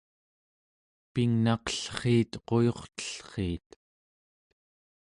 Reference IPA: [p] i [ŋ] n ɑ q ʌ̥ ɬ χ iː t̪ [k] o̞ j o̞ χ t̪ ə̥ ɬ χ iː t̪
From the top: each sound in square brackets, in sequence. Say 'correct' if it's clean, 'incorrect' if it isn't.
correct, correct, incorrect

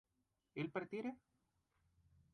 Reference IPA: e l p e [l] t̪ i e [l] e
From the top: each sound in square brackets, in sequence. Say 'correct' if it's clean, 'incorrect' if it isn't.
incorrect, incorrect

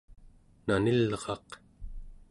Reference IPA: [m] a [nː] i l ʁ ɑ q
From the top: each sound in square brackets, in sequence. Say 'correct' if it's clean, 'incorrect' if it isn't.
incorrect, incorrect

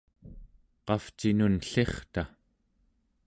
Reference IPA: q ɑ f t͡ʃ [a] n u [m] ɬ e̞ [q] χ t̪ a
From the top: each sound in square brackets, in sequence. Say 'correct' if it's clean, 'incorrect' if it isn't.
incorrect, incorrect, incorrect

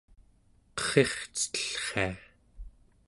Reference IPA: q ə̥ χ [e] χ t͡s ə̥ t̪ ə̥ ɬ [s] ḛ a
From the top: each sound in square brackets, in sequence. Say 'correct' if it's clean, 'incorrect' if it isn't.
correct, incorrect

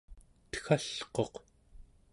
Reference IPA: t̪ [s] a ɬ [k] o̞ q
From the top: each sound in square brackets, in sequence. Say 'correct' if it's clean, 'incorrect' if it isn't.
incorrect, incorrect

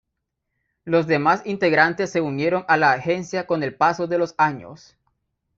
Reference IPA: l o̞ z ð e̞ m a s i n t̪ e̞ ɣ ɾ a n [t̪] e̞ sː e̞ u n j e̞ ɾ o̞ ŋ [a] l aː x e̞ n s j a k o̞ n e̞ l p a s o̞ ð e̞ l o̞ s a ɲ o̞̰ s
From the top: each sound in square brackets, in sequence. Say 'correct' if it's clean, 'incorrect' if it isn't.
correct, correct

